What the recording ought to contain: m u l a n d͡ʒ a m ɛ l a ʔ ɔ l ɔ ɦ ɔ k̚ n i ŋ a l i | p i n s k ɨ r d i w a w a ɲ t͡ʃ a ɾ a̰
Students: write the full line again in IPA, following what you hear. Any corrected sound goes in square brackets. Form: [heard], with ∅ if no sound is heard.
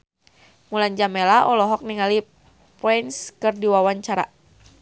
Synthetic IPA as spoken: m u l a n d͡ʒ a m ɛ l a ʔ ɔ l ɔ ɦ ɔ k̚ n i ŋ a l i | p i n s k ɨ r d i w a w a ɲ t͡ʃ a ɾ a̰